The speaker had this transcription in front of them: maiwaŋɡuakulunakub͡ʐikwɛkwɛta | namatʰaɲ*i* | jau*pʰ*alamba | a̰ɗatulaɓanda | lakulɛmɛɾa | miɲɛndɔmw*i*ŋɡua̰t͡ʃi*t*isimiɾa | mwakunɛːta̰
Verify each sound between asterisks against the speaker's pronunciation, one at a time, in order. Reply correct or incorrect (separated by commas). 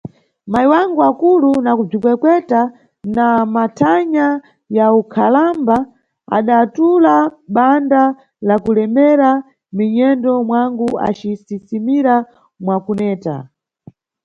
incorrect, incorrect, incorrect, incorrect